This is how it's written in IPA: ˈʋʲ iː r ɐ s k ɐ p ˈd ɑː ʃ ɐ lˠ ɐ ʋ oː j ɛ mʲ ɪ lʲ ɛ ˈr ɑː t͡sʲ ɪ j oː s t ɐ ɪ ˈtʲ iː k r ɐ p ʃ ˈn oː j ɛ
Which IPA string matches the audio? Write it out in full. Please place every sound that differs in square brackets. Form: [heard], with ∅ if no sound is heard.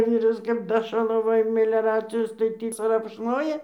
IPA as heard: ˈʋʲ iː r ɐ s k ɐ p ˈd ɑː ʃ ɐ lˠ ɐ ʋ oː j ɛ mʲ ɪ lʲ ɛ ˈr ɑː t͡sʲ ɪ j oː s t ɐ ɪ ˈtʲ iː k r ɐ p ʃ ˈn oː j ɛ